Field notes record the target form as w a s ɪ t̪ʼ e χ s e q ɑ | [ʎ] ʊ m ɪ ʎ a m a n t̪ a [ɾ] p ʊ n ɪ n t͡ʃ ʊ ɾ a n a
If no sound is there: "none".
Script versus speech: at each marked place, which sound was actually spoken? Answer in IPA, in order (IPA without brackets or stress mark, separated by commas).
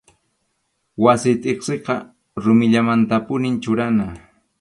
ɾ, none